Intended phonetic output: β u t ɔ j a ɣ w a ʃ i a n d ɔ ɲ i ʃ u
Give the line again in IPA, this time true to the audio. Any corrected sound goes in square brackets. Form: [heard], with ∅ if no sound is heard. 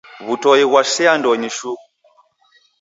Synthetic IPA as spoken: β u t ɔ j [i] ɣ w a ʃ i a n d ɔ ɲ i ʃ u